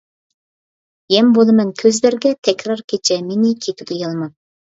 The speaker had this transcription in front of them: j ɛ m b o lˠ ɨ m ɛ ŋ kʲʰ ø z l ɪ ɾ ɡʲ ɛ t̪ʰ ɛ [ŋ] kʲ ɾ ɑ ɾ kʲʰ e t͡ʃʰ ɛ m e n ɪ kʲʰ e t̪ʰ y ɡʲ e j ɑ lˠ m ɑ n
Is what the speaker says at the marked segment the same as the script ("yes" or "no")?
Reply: no